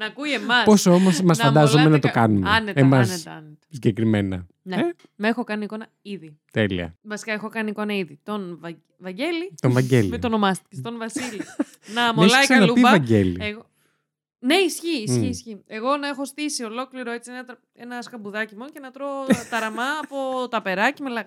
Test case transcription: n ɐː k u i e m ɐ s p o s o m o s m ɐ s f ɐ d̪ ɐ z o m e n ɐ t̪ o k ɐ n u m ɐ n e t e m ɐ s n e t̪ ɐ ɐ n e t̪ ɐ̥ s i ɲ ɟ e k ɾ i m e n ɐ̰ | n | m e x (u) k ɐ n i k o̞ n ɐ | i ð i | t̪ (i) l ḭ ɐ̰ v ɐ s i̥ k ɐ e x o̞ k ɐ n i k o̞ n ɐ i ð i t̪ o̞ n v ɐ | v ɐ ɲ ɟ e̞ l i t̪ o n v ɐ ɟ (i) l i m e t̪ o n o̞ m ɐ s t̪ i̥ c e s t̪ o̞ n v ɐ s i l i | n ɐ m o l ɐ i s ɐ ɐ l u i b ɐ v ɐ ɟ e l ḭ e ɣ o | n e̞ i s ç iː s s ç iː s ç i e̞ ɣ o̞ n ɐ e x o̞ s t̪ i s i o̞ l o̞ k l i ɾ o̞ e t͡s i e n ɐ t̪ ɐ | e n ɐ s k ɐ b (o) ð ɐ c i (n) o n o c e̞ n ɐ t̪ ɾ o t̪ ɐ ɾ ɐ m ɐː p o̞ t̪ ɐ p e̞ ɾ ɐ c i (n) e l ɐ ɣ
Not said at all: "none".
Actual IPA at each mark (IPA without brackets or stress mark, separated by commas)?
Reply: o, e, e, u, m, m